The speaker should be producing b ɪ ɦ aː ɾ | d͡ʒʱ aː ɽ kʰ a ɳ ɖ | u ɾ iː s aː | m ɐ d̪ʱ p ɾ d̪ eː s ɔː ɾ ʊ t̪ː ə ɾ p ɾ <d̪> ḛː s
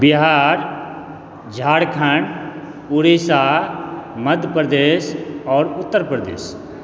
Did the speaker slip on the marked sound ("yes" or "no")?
no